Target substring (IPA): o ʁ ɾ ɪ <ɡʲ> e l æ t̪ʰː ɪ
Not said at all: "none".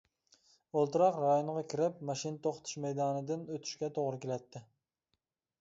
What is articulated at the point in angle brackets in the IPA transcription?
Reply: kʲ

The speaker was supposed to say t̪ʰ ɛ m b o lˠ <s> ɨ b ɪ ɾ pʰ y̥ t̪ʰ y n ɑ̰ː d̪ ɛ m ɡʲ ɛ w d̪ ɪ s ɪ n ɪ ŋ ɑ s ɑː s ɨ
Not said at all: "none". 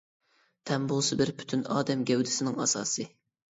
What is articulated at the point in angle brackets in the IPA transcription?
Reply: s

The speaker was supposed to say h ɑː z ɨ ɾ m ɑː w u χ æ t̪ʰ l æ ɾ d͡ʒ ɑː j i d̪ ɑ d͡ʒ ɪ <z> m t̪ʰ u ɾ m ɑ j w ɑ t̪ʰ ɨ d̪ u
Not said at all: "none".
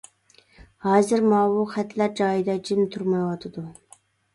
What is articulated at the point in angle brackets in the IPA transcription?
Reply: none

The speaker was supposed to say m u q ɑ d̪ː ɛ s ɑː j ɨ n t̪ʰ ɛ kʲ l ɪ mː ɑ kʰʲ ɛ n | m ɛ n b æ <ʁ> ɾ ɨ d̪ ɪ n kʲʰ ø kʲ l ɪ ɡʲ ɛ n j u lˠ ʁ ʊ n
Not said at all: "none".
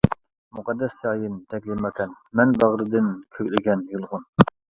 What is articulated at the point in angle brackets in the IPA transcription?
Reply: ʁ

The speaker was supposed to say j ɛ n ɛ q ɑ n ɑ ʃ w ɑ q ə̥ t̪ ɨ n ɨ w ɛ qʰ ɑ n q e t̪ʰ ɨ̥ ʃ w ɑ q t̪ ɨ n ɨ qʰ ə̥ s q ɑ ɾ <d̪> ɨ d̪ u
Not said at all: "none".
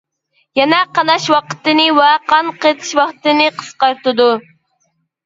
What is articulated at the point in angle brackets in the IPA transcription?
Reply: t̪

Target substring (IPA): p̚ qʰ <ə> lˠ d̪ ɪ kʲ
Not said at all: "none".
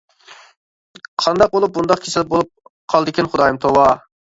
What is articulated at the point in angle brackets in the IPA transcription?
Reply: ɑ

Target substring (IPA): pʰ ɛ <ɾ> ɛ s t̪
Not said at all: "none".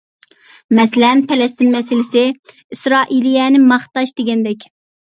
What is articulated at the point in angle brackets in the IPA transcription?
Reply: l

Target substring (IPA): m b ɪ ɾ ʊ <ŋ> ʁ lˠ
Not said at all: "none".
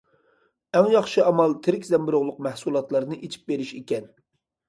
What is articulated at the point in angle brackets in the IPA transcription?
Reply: none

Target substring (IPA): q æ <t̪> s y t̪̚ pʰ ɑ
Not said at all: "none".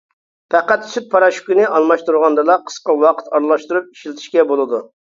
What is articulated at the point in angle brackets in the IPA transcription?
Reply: t̪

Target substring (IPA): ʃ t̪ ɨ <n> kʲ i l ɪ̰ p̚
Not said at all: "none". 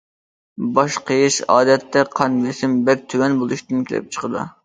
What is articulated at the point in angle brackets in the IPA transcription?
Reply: n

